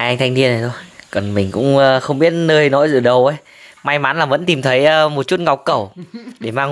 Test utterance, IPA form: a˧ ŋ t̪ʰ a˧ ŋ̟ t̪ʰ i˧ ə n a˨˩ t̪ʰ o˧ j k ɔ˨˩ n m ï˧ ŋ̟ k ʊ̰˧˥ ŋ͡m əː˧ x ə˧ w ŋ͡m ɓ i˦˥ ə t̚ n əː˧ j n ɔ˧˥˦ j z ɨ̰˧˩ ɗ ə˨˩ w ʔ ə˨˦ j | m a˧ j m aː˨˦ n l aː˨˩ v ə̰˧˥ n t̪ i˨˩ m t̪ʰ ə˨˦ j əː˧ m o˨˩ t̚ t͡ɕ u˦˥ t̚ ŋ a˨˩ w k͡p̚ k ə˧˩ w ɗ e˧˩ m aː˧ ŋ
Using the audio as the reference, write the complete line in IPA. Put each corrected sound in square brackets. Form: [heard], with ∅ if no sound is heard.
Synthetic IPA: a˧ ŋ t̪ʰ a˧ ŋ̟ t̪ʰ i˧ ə n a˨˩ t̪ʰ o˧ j k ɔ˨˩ n m [ï˨˩] ŋ̟ k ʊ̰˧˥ ŋ͡m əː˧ x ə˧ w ŋ͡m ɓ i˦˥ ə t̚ n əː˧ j n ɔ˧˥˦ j z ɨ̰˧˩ ɗ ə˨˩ w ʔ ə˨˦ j | m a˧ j m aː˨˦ n l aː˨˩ v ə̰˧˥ n t̪ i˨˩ m t̪ʰ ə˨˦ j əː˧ m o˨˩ t̚ t͡ɕ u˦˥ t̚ ŋ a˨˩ w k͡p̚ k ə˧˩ w ɗ e˧˩ m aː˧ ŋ